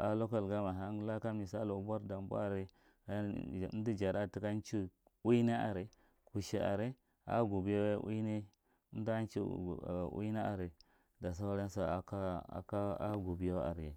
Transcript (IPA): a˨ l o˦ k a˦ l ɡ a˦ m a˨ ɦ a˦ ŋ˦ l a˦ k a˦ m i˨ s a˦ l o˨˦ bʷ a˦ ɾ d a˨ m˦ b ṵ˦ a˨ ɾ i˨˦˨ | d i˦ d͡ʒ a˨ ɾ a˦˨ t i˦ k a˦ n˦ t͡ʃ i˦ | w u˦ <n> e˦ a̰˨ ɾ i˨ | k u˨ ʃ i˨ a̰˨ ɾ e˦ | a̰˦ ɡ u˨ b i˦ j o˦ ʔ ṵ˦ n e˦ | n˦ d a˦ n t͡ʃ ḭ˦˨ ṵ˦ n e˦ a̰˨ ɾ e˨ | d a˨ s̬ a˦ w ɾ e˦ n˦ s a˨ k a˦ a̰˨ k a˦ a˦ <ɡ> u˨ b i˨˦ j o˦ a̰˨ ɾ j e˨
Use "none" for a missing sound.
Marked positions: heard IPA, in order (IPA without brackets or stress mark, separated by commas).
n, ɡ